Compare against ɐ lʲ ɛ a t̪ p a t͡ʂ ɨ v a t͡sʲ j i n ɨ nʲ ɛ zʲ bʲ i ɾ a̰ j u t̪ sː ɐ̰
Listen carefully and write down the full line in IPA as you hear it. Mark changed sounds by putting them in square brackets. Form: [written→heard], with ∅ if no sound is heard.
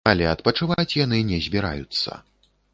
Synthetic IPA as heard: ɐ lʲ ɛ [a→ɐ] t̪ p [a→ɐ] t͡ʂ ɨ v a t͡sʲ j [i→a] n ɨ nʲ ɛ zʲ bʲ i ɾ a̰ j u t̪ sː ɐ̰